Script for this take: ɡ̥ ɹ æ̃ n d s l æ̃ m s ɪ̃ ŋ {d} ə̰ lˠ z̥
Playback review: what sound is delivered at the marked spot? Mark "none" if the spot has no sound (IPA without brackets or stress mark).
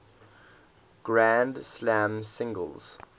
ɡ